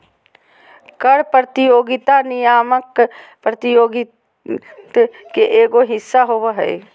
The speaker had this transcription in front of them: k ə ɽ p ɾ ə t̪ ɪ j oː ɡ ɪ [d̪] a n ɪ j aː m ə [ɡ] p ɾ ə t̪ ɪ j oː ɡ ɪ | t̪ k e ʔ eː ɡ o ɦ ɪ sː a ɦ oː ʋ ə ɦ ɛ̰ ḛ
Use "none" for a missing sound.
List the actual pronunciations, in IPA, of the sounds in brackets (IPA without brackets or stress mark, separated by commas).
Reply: t̪, k